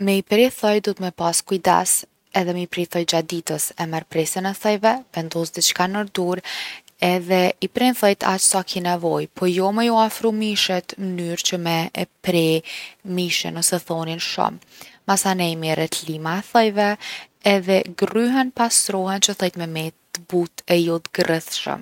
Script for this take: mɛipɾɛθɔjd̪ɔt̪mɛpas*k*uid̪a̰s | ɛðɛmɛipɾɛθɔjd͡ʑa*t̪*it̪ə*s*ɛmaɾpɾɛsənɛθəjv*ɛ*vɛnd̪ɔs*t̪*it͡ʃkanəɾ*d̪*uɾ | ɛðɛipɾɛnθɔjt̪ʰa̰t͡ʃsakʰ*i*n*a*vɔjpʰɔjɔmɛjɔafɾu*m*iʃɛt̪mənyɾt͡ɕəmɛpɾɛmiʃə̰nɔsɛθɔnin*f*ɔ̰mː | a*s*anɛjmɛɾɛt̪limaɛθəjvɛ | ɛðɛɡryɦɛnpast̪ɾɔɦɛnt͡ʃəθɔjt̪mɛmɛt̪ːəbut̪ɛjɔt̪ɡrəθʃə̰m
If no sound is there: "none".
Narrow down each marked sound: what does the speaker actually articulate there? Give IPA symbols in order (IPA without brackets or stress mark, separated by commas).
k, d̪, s, ɛ, d̪, d̪, i, ɛ, m, ʃ, s